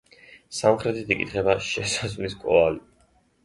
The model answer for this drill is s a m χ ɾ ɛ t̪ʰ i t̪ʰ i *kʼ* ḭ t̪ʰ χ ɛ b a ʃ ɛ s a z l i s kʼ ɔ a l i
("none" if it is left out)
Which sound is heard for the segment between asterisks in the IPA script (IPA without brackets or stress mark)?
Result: kʼ